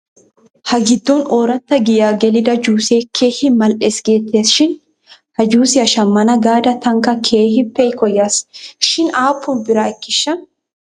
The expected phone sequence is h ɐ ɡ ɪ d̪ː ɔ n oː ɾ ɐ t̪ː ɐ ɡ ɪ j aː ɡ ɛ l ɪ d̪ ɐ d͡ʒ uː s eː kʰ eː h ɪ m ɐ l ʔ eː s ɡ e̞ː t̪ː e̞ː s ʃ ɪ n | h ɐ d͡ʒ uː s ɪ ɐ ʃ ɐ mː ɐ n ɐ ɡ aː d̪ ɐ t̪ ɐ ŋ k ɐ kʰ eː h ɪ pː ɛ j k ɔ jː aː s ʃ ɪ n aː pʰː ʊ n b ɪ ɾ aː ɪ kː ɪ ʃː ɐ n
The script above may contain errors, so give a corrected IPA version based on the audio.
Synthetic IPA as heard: h ɐ ɡ ɪ d̪ː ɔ n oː ɾ ɐ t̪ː ɐ ɡ ɪ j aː ɡ ɛ l ɪ d̪ ɐ d͡ʒ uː s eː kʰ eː h ɪ m ɐ l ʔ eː s ɡ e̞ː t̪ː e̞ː s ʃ ɪ n | h ɐ d͡ʒ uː s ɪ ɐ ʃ ɐ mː ɐ n ɐ ɡ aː d̪ ɐ t̪ ɐ ŋ k ɐ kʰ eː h ɪ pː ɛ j k ɔ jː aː s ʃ ɪ n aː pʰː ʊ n b ɪ ɾ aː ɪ kː ɪ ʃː ɐ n

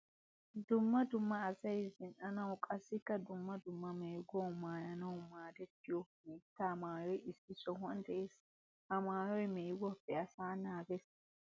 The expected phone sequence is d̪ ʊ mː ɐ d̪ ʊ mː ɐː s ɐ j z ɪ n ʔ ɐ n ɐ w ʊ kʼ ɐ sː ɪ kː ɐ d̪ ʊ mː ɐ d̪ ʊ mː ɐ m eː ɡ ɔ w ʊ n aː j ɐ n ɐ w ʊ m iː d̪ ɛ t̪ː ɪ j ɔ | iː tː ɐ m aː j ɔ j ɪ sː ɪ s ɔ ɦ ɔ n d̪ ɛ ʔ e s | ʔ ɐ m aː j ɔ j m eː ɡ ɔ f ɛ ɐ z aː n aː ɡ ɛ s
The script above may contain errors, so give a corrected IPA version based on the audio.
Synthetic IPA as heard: d̪ ʊ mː ɐ d̪ ʊ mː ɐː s ɐ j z ɪ n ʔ ɐ n ɐ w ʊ kʼ ɐ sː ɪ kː ɐ d̪ ʊ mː ɐ d̪ ʊ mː ɐ m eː ɡ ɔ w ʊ m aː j ɐ n ɐ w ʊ m aː d̪ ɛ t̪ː ɪ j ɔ | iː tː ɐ m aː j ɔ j ɪ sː ɪ s ɔ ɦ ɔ n d̪ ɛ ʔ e s | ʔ ɐ m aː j ɔ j m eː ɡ ɔ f ɛ ɐ s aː n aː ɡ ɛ s

